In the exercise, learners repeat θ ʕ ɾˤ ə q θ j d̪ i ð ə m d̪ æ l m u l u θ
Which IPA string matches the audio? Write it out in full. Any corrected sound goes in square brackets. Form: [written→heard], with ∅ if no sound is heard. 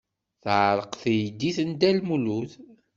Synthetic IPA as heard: θ ʕ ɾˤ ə q θ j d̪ i [ð→θ] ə [m→n] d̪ æ l m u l u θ